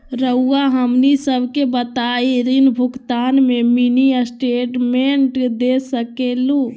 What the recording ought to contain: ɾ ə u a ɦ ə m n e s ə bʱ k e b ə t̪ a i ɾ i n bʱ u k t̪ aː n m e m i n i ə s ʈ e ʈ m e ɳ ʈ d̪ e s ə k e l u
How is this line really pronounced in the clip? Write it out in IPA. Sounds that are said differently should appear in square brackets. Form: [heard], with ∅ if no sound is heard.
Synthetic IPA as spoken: ɾ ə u a ɦ ə m n [i] s ə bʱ k e b ə t̪ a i ɾ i n bʱ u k t̪ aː n m e m i n i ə s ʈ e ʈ m e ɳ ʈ d̪ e s ə k e l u